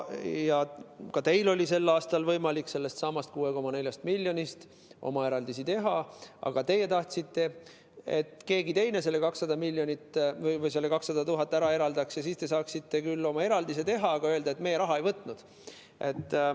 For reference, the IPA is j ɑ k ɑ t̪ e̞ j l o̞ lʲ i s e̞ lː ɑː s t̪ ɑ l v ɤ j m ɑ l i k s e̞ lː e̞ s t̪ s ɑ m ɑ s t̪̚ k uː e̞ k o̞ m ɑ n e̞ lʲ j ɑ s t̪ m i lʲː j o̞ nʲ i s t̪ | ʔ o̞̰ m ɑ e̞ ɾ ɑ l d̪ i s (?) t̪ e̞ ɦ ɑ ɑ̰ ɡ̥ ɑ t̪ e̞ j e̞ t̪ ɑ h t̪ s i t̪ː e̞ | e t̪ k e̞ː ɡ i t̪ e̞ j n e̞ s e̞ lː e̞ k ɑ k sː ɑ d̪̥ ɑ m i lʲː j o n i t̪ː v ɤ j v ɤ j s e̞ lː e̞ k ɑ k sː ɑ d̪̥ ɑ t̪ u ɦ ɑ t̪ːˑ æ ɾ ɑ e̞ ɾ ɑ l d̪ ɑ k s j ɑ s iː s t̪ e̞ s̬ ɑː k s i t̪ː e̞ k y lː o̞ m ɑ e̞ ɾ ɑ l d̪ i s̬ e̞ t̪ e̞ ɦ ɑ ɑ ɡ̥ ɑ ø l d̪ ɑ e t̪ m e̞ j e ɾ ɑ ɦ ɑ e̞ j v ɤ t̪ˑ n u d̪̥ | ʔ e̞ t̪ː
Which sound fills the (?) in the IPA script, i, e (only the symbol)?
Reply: i